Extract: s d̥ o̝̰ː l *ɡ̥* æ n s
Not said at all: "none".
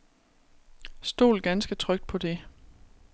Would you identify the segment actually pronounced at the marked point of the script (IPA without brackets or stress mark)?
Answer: ɡ̥